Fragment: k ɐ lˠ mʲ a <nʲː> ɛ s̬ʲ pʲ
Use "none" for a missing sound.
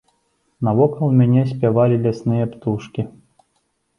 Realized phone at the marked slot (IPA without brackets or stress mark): nʲ